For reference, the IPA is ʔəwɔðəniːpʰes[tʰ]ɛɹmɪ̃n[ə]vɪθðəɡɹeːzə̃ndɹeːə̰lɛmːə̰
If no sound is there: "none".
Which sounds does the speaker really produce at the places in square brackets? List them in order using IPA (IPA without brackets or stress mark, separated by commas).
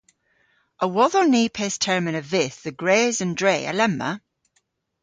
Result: tʰ, ə